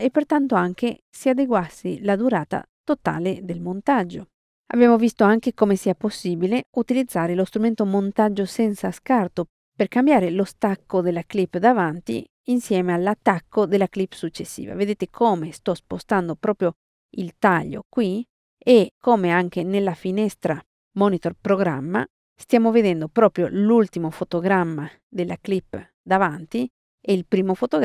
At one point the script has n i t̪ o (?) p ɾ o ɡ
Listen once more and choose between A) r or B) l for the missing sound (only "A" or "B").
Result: A